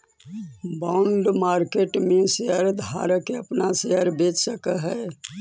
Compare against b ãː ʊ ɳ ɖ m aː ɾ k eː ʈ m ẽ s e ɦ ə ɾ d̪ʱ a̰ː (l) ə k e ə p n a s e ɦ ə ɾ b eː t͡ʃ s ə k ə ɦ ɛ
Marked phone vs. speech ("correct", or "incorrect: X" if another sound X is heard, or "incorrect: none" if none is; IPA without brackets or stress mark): incorrect: ɾ